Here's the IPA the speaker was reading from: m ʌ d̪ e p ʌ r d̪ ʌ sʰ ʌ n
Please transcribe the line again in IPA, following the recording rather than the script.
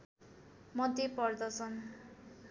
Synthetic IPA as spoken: m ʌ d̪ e p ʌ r d̪ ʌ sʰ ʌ n